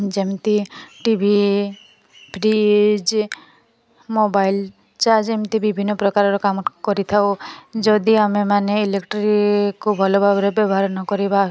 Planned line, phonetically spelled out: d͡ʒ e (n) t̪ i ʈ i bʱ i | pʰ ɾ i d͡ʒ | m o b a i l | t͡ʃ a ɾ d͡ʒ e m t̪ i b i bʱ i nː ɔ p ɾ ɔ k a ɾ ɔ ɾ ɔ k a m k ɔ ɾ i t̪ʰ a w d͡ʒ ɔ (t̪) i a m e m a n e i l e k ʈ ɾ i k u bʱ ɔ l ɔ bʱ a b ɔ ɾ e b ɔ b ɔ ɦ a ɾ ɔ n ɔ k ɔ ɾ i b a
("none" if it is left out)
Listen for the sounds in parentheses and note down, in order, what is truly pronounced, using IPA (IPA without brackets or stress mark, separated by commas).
m, d̪